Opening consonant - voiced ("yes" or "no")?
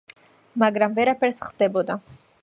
yes